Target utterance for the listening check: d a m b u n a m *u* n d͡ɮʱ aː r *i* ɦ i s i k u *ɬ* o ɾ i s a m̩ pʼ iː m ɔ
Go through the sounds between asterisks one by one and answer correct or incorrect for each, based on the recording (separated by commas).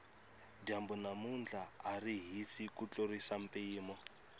correct, correct, incorrect